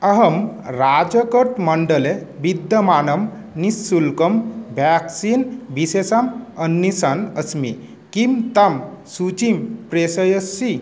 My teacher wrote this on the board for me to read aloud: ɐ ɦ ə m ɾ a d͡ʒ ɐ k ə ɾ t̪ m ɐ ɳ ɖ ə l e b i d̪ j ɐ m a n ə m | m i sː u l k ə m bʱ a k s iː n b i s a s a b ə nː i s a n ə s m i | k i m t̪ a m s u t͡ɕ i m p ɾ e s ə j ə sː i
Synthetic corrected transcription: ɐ ɦ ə m ɾ a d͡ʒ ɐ k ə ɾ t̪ m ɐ ɳ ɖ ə l e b i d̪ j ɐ m a n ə m | n i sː u l k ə m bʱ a k s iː n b i s e s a m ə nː i s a n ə s m i | k i m t̪ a m s u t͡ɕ i m p ɾ e s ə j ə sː i